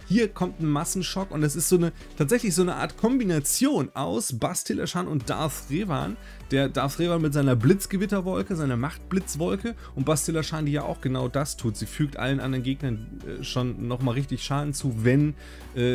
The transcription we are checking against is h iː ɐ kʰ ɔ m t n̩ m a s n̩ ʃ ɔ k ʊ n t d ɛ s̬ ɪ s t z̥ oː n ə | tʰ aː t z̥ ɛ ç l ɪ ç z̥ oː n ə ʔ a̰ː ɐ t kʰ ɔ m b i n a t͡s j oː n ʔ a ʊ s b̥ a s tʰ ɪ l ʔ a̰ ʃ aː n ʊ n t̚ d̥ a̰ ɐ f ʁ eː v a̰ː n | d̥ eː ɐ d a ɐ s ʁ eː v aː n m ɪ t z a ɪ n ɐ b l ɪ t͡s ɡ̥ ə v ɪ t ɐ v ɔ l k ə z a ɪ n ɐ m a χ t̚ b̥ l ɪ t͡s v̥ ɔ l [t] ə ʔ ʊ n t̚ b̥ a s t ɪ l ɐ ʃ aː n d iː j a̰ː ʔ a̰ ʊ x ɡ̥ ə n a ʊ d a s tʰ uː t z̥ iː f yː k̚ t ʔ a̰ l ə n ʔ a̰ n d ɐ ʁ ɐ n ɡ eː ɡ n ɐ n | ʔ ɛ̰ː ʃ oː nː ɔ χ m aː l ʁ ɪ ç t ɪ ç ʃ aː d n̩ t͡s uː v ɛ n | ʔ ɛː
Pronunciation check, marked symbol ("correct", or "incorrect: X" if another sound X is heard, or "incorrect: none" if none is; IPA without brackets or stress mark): incorrect: k